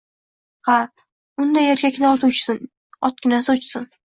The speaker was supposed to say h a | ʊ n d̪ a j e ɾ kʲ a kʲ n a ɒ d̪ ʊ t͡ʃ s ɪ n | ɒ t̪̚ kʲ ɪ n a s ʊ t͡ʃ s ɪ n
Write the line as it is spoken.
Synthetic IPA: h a | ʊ n d̪ a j e ɾ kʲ a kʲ n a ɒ t̪ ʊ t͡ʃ s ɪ n | ɒ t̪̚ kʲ ɪ n a s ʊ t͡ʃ s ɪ n

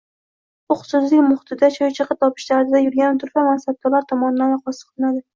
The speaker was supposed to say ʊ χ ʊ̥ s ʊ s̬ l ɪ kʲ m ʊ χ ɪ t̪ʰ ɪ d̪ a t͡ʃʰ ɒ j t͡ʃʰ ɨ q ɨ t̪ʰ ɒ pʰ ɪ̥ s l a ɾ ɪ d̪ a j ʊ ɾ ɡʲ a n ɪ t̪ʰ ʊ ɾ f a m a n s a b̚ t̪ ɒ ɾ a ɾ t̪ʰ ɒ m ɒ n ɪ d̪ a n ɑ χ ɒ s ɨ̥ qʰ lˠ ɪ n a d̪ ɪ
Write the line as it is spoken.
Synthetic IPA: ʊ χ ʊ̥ s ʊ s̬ l ɪ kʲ m ʊ χ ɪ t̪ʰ ɪ d̪ a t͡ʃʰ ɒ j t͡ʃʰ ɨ q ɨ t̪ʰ ɒ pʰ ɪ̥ ʃ l a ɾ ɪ d̪ a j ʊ ɾ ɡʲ a n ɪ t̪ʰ ʊ ɾ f a m a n s a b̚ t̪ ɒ l a ɾ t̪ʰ ɒ m ɒ n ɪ d̪ a n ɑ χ ɒ s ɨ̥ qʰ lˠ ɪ n a d̪ ɪ

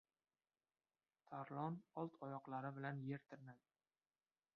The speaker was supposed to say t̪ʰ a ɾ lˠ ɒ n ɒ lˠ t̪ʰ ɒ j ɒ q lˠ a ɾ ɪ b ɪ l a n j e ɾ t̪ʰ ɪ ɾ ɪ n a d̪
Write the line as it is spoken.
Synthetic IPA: t̪ʰ a ɾ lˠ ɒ n ɒ lˠ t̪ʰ ɒ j ɒ q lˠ a ɾ ɪ b ɪ l a n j e ɾ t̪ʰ ɪ ɾ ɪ n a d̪

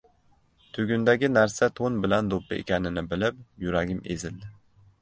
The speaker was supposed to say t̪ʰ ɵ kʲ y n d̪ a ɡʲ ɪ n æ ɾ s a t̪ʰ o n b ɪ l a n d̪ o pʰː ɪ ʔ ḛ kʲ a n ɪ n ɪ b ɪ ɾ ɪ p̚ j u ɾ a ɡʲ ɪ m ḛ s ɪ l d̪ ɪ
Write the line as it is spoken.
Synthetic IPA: t̪ʰ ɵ ɡʲ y n d̪ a ɡʲ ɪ n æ ɾ s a t̪ʰ o n b ɪ l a n d̪ o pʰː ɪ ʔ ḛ kʲ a n ɪ n ɪ b ɪ l ɪ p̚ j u ɾ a ɡʲ ɪ m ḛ z ɪ l d̪ ɪ

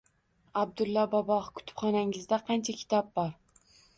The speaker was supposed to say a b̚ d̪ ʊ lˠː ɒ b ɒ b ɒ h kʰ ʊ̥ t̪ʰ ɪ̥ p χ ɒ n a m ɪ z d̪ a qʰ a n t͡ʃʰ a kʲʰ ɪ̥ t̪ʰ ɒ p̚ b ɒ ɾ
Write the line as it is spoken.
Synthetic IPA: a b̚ d̪ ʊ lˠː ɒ b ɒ b ɒ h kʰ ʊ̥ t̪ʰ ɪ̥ p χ ɒ n a ŋ ɪ z d̪ a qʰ ɑ n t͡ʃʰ a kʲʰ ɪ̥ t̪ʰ ɒ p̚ b ɒ ɾ

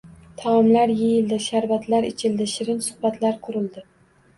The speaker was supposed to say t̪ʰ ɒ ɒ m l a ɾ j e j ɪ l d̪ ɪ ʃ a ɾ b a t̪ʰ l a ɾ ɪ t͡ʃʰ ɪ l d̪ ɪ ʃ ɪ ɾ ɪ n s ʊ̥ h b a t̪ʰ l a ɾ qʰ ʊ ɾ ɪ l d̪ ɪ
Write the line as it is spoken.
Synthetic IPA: t̪ʰ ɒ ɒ m l a ɾ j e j ɪ l d̪ ɪ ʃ a ɾ v a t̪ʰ l a ɾ ɪ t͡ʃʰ ɪ l d̪ ɪ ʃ ɪ ɾ ɪ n s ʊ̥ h b a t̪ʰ l a ɾ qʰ ʊ ɾ ɪ l d̪ ɪ

